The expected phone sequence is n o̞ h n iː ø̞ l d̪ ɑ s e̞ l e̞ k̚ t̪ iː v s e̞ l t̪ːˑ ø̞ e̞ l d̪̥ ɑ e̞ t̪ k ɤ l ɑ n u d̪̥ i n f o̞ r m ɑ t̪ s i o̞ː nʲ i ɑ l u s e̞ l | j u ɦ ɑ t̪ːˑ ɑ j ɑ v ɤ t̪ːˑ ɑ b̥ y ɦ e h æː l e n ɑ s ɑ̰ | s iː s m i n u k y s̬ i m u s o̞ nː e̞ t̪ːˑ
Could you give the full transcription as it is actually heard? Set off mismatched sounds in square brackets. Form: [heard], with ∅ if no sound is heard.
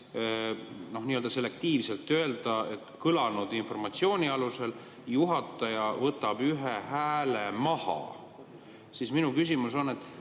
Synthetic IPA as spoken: n o̞ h n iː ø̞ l d̪ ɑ s e̞ l e̞ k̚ t̪ iː v s e̞ l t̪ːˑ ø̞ e̞ l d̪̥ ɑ e̞ t̪ k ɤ l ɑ n u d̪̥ i n f o̞ r m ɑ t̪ s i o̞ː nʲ i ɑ l u s e̞ l | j u ɦ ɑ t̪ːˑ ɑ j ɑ v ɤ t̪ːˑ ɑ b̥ y ɦ e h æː l e [m] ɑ [h] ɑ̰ | s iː s m i n u k y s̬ i m u s o̞ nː e̞ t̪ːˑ